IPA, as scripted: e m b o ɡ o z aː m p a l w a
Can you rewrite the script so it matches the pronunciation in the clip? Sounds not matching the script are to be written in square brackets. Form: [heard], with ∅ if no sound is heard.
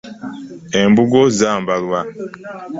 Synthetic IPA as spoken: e m b [u] ɡ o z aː m [b] a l w a